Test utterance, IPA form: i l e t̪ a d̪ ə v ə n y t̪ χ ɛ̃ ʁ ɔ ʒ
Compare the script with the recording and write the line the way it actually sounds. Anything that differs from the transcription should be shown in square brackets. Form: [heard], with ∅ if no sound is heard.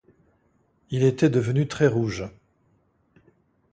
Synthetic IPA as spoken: i l e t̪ [ɛ] d̪ ə v ə n y t̪ χ [ɛ] ʁ [u] ʒ